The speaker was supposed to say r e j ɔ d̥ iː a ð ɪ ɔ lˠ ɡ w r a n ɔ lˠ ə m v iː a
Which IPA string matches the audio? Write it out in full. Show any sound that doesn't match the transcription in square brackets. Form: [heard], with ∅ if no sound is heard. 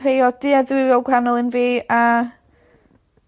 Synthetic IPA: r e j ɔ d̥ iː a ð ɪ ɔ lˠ ɡ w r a n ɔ lˠ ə [n] v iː a